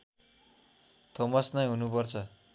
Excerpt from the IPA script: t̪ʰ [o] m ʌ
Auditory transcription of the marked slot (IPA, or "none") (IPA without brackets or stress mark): o